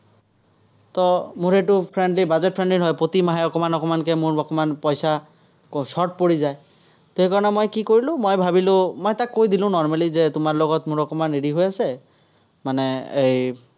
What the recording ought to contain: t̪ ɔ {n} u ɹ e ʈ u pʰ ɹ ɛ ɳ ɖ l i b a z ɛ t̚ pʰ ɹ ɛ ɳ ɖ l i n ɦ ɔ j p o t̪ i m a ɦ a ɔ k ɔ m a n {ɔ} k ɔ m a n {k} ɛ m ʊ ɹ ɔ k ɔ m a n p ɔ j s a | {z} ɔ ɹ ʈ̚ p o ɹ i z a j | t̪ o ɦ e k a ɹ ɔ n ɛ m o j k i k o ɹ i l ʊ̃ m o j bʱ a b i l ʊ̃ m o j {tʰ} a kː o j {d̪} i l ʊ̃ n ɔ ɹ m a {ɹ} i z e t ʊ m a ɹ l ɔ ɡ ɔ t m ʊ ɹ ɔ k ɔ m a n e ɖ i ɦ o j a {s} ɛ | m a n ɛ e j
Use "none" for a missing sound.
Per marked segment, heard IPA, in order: m, ɔ, k, s, t, d̪, l, s

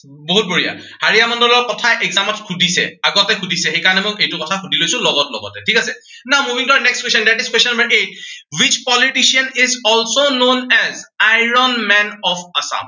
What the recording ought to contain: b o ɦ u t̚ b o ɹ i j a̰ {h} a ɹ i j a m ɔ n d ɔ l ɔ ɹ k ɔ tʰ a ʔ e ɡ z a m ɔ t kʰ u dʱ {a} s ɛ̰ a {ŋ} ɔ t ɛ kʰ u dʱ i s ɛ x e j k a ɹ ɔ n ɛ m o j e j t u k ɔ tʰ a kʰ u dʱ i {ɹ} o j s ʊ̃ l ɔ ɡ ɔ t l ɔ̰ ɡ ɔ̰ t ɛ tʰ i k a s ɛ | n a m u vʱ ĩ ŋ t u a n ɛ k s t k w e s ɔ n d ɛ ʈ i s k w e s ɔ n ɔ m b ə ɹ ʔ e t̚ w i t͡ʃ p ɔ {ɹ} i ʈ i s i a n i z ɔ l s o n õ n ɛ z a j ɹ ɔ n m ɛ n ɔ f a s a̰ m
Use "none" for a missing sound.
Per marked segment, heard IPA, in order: h, i, ɡ, l, l

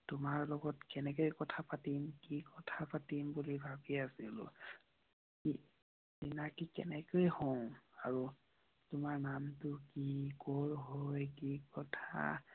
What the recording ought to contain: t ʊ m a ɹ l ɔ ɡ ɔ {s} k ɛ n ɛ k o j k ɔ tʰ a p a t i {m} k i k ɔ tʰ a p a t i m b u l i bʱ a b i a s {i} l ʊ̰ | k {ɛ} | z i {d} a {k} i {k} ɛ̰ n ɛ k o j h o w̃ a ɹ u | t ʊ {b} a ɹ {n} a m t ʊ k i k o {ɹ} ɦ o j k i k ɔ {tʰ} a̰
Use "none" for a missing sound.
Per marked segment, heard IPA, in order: t, m, i, i, n, k, k, m, n, ɹ, tʰ

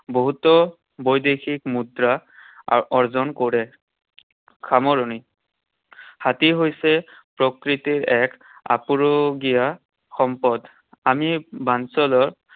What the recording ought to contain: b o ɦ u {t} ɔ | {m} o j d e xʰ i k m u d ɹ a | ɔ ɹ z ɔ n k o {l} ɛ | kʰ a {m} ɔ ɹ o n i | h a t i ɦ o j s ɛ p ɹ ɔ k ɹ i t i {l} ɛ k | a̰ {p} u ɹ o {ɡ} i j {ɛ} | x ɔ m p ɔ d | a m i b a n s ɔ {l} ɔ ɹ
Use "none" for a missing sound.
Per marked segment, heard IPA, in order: t, b, ɹ, m, ɹ, p, ɡ, a, l

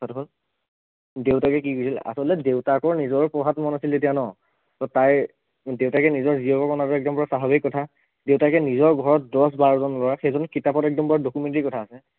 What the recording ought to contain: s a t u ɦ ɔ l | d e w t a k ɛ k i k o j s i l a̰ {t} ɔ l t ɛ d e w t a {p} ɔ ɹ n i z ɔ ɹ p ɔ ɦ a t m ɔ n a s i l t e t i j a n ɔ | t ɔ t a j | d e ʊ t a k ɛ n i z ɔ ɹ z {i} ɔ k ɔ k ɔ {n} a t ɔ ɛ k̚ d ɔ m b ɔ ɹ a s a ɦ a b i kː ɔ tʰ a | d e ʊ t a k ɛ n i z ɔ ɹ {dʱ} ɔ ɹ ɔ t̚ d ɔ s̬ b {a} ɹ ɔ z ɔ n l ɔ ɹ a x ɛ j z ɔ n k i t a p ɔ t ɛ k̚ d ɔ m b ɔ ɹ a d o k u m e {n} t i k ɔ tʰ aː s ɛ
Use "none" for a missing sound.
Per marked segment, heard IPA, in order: s, k, i, n, ɡʱ, a, n

